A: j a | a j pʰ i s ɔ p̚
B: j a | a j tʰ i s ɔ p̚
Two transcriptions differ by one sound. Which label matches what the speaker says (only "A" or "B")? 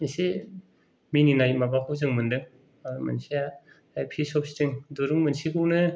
A